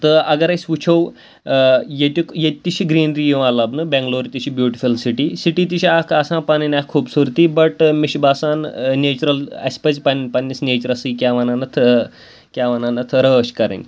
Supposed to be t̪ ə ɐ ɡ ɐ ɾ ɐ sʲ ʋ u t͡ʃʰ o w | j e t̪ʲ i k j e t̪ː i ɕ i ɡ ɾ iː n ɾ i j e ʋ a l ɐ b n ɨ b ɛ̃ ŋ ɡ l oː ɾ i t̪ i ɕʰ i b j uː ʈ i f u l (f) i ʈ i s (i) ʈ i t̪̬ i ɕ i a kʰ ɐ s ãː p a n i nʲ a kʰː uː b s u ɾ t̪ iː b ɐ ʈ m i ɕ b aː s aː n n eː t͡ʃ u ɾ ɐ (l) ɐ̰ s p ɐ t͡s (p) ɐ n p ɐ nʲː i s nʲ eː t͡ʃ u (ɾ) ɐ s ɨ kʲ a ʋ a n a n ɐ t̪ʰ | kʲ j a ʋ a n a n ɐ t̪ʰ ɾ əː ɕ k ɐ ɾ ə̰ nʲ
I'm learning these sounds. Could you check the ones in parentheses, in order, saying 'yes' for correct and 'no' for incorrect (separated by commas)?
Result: no, yes, yes, yes, yes